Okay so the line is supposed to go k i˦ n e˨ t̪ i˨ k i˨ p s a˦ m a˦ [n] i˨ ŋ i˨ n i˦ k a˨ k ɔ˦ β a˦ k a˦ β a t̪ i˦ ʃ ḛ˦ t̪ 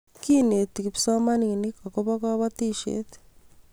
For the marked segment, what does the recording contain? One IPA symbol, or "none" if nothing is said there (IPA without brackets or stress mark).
n